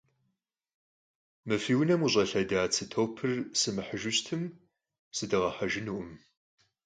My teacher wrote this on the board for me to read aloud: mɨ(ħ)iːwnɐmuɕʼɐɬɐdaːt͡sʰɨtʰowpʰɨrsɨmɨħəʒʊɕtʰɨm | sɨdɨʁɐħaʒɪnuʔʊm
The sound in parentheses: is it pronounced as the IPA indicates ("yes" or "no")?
no